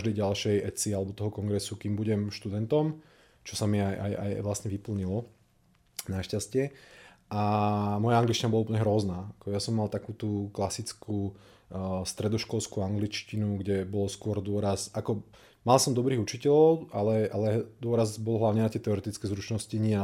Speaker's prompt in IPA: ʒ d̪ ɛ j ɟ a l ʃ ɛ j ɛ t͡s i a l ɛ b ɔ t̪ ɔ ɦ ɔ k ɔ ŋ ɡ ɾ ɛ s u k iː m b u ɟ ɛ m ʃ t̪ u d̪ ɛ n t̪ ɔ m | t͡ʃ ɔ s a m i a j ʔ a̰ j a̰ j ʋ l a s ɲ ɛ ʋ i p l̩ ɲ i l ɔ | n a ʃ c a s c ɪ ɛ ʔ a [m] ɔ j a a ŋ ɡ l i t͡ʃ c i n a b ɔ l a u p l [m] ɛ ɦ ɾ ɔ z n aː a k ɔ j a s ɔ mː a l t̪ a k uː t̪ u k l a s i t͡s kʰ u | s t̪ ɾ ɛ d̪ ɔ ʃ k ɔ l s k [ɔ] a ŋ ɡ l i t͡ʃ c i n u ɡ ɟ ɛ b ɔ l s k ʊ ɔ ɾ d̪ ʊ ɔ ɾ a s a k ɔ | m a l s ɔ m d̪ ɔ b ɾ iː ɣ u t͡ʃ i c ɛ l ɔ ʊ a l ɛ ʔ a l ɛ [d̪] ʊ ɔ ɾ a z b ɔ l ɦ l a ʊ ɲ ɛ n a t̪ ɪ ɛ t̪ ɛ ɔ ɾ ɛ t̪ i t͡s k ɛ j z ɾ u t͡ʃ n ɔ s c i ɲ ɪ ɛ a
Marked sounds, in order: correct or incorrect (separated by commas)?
correct, incorrect, incorrect, correct